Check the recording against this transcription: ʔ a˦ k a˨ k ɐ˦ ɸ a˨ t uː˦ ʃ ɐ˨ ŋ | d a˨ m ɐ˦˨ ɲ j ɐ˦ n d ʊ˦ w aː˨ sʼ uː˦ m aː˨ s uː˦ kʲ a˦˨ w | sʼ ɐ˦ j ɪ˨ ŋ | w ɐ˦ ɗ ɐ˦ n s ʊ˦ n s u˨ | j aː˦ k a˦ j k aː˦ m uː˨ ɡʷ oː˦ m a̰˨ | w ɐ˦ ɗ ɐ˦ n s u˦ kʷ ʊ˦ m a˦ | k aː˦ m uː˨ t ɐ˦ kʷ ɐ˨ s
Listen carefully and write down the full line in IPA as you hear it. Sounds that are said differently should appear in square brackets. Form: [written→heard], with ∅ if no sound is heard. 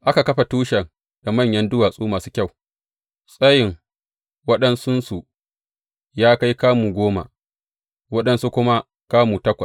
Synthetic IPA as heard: ʔ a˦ k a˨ k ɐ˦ ɸ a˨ t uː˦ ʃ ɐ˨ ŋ | d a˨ m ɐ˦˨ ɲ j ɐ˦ n d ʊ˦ w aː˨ sʼ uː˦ m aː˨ s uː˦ kʲ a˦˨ w | sʼ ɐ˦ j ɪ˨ ŋ | w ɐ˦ ɗ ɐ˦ n s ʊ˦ n s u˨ | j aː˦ k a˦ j k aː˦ m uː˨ ɡʷ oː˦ m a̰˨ | w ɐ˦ ɗ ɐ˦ n s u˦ kʷ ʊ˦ m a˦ | k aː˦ m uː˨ t ɐ˦ kʷ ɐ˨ s